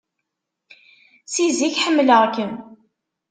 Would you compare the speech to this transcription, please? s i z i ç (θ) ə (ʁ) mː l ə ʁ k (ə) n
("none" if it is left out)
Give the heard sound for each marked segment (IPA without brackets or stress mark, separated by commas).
ħ, none, ə